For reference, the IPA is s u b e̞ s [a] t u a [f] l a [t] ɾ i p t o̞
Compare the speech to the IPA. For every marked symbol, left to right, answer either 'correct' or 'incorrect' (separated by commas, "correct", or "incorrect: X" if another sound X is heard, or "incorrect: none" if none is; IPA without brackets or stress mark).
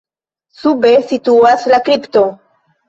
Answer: incorrect: i, incorrect: s, incorrect: k